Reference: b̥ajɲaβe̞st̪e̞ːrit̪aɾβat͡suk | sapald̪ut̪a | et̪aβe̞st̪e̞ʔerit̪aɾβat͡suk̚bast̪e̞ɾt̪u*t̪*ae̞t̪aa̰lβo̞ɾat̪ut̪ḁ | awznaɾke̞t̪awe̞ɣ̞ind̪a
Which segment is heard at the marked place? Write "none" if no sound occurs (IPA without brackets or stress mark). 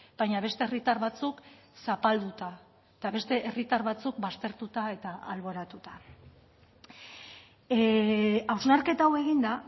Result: t̪